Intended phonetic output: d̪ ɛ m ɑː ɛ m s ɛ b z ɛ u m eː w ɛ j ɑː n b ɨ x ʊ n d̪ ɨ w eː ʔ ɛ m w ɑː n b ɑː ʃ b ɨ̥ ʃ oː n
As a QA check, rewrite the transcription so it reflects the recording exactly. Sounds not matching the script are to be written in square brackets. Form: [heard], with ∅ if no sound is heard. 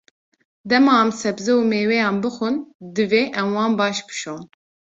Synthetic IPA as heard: d̪ ɛ m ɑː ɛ m s ɛ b z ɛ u m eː w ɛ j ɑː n b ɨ x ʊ n d̪ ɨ [v] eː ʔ ɛ m w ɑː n b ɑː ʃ b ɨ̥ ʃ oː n